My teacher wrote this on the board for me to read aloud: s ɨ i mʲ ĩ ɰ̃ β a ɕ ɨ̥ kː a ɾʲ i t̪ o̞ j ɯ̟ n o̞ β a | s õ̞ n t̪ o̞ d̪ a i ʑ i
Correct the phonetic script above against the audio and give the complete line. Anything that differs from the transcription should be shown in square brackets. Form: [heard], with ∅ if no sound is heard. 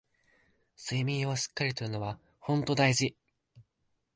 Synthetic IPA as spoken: s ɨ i mʲ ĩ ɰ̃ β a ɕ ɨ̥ kː a ɾʲ i t̪ o̞ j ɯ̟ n o̞ β a | [h] õ̞ n t̪ o̞ d̪ a i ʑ i